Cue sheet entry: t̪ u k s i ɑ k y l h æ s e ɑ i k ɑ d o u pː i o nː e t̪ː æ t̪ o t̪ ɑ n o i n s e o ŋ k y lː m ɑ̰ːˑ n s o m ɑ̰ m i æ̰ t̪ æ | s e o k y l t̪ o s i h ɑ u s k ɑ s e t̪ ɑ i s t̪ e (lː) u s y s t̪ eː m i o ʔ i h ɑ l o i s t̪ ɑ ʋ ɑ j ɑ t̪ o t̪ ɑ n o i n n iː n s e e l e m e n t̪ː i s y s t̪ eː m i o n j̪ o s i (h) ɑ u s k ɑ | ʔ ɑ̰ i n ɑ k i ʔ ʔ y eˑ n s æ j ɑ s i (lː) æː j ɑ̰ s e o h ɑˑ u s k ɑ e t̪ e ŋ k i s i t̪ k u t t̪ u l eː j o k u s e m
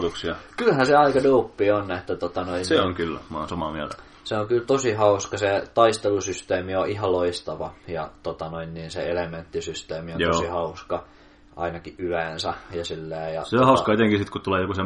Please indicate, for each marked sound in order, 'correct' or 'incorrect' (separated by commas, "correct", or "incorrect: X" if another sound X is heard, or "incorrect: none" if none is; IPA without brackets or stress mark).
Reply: incorrect: l, correct, correct